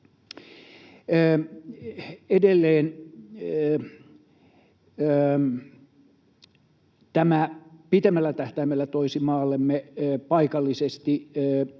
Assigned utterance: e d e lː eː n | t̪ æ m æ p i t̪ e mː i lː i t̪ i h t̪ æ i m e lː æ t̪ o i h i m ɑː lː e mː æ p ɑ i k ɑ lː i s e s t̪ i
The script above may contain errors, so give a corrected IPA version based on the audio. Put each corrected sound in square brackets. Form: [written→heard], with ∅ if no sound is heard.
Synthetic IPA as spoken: e d e lː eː n | t̪ æ m æ p i t̪ e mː [i→æ] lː [i→æ] t̪ [i→æ] h t̪ æ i m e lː æ t̪ o i [h→s] i m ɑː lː e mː [æ→e] p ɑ i k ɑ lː i s e s t̪ i